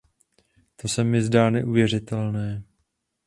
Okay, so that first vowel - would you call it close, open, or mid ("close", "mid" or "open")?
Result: mid